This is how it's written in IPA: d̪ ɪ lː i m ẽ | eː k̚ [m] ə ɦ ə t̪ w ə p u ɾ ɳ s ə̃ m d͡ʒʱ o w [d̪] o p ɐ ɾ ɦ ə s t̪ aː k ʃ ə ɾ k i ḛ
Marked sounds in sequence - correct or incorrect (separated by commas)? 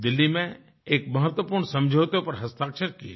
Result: correct, incorrect